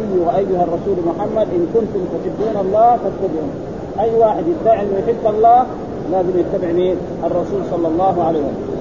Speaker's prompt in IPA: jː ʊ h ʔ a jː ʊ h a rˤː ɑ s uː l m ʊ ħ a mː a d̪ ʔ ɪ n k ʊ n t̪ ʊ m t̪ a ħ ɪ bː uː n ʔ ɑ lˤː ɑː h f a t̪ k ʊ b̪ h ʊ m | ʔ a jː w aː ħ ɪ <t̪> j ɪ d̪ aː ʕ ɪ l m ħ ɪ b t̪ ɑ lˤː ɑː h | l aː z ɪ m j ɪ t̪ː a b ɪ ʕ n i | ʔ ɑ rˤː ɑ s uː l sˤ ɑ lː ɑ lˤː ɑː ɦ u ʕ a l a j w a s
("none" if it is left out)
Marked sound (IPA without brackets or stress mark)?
d̪